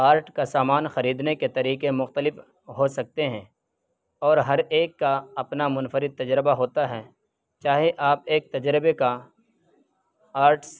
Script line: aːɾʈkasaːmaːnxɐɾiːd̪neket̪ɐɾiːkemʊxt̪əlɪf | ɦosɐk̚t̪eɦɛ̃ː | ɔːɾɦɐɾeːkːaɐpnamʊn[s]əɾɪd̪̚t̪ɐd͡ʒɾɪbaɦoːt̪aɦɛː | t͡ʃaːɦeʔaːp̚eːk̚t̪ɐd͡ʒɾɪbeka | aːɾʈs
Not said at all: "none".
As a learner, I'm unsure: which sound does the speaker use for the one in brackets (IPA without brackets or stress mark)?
f